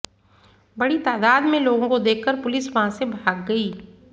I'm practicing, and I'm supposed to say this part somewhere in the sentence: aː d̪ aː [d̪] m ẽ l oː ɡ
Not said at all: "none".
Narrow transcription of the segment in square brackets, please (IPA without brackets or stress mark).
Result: d̪